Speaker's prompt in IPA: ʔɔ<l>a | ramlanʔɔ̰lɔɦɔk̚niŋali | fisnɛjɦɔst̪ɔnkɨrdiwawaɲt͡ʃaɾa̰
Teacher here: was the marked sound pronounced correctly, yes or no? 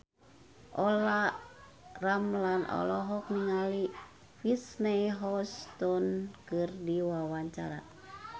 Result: yes